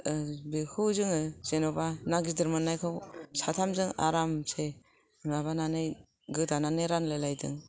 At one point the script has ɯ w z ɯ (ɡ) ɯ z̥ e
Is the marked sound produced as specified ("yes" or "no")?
no